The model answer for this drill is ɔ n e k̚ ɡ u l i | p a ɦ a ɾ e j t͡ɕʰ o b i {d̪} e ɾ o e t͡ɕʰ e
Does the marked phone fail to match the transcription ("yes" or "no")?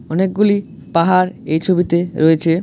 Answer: yes